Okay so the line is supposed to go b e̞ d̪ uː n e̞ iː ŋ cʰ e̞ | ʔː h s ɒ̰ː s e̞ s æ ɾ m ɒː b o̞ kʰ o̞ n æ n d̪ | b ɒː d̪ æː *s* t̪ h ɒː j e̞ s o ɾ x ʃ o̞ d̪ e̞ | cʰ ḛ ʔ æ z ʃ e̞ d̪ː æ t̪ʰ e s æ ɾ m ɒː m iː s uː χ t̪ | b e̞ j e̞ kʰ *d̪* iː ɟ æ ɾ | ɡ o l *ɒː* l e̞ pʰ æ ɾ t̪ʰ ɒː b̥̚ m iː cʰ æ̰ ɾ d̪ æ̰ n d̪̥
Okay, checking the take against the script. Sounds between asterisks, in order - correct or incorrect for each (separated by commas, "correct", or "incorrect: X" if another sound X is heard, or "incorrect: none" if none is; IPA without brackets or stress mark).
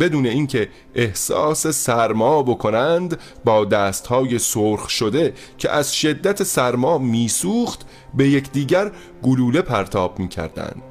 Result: correct, correct, incorrect: uː